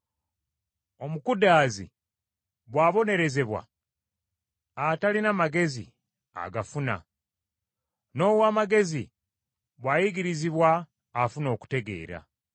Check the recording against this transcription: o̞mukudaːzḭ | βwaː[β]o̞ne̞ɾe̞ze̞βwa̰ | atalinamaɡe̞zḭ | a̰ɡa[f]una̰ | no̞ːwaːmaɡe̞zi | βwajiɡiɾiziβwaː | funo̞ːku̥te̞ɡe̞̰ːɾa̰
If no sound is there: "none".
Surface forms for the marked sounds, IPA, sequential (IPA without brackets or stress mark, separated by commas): β, f